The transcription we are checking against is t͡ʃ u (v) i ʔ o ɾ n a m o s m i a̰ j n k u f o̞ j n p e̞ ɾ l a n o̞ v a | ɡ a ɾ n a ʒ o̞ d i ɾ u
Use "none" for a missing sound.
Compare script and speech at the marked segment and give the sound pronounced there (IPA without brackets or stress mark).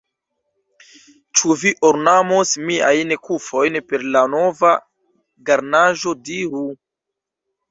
v